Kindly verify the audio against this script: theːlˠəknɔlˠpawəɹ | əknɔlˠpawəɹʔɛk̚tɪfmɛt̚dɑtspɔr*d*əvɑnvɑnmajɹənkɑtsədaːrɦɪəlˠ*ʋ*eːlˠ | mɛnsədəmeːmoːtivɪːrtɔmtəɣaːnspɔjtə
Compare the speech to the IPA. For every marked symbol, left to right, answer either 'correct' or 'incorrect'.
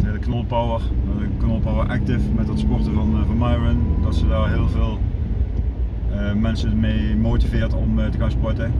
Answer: incorrect: t, incorrect: v

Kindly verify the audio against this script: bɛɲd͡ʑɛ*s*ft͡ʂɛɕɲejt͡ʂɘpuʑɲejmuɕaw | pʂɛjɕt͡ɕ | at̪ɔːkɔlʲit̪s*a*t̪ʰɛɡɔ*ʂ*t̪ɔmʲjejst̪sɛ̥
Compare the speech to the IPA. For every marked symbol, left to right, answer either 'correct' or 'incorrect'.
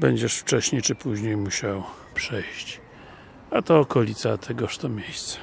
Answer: incorrect: ʂ, correct, correct

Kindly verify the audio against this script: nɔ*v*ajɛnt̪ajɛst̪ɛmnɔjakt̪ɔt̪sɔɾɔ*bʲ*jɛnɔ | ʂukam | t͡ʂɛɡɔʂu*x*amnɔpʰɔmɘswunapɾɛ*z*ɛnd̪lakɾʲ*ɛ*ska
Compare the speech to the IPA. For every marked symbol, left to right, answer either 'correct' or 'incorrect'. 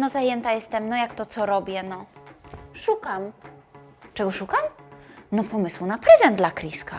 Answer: incorrect: z, correct, incorrect: k, correct, incorrect: i

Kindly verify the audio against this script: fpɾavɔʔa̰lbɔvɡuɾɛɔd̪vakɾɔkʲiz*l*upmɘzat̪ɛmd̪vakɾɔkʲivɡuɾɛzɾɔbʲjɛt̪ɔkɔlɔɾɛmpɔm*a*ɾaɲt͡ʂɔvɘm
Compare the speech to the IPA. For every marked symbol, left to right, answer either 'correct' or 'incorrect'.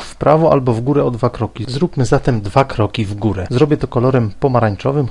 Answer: incorrect: ɾ, correct

